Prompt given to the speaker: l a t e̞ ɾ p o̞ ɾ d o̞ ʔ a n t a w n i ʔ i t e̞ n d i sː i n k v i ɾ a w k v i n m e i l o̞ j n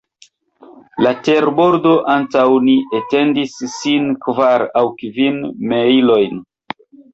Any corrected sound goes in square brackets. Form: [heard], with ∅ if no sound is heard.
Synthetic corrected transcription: l a t e̞ ɾ [b] o̞ ɾ d o̞ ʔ a n t a w n i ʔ [e] t e̞ n d i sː i n k v [a] ɾ a w k v i n m e i l o̞ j n